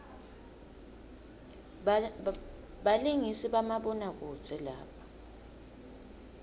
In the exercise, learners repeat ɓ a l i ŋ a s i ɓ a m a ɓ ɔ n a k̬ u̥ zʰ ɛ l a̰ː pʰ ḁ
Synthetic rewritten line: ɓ a l i ŋ i s i ɓ a m a ɓ ɔ n a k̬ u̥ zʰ ɛ l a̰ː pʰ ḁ